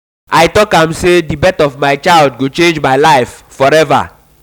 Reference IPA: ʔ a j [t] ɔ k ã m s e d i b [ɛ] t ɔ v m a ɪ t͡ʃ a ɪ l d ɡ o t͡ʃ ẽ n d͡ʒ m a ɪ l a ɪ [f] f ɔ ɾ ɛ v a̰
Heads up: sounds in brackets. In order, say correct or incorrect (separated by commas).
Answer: correct, correct, correct